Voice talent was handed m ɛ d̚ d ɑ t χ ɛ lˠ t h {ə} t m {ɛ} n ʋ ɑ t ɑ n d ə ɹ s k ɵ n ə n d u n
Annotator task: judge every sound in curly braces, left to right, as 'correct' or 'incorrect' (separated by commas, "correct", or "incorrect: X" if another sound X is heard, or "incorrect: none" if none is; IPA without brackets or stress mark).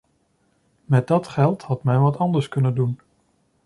incorrect: ɑ, correct